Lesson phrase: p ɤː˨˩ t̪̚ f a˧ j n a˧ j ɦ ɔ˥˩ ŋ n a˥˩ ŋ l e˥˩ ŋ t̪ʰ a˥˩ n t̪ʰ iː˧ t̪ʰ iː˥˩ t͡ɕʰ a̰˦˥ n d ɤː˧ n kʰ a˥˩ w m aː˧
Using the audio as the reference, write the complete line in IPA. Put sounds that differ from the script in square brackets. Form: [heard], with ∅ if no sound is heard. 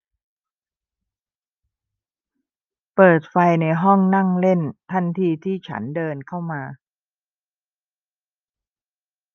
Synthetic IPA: p ɤː˨˩ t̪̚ f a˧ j n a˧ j ɦ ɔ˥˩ ŋ n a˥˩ ŋ l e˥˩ [n] t̪ʰ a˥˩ n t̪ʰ iː˧ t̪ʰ iː˥˩ t͡ɕʰ a̰˦˥ n d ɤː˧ n kʰ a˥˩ w m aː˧